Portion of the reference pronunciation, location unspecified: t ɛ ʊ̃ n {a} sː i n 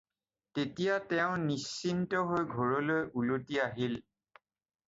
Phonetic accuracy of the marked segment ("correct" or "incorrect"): incorrect